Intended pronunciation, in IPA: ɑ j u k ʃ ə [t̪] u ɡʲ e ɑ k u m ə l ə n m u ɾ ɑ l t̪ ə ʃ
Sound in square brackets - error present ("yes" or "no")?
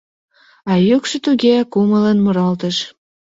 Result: no